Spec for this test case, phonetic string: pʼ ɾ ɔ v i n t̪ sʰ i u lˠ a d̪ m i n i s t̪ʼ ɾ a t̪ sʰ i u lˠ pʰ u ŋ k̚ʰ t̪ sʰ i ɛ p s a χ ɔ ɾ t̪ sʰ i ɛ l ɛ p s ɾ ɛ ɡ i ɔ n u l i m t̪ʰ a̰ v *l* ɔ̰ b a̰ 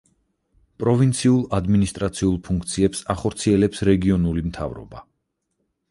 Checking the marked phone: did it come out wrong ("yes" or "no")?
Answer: yes